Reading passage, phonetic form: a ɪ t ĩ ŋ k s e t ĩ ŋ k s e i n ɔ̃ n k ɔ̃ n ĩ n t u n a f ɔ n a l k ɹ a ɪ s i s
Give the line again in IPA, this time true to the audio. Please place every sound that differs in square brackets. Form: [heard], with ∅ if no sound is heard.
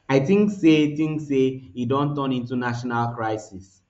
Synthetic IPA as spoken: a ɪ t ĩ ŋ k s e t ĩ ŋ k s e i [d] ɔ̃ n [t] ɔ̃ n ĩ n t u n a [ʃ] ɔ n a l k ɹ a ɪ s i s

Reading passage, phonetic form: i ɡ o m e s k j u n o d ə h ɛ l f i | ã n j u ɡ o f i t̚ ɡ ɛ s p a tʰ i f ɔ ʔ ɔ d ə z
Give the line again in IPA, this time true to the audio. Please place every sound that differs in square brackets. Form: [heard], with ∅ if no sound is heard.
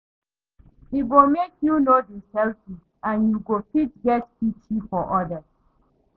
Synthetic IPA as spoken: i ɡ o m e [∅] k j u n o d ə [s] ɛ l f i | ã n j u ɡ o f i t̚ ɡ ɛ [t] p [i] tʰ i f ɔ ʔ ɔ d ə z

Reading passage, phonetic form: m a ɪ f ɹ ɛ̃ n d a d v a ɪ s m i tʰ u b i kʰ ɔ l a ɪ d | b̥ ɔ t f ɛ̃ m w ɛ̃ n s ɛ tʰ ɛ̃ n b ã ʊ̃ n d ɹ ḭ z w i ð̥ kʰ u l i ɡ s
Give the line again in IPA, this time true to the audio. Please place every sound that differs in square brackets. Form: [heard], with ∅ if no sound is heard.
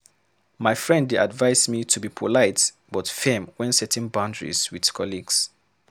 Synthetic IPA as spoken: m a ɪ f ɹ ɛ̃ n d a d v a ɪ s m i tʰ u b i [pʰ] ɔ l a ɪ [t] | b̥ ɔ t f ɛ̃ m w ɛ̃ n s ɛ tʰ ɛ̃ n b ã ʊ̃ n d ɹ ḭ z w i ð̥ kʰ [ɔ] l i ɡ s

